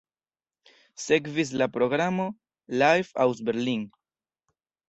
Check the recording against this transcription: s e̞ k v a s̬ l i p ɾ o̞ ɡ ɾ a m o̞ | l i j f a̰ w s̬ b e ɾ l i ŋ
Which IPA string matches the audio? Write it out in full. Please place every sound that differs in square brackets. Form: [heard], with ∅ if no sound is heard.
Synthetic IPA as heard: s e̞ k v [i] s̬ l [a] p ɾ o̞ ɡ ɾ a m o̞ | l [a] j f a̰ w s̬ b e ɾ l i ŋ